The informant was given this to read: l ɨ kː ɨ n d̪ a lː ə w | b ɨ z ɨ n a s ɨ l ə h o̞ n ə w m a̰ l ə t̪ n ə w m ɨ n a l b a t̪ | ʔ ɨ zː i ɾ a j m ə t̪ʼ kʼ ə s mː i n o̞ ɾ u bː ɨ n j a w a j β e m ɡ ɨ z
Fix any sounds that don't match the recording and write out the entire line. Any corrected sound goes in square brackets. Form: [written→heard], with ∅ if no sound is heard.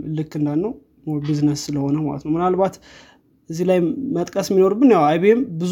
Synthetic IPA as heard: l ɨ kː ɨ n d̪ a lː ə w | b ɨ z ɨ n [a→ə] s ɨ l ə h o̞ n ə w m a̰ l ə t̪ n ə w m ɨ n a l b a t̪ | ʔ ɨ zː i [ɾ→l] a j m ə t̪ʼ kʼ ə s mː i n o̞ ɾ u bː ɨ n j a w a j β e m [ɡ→b] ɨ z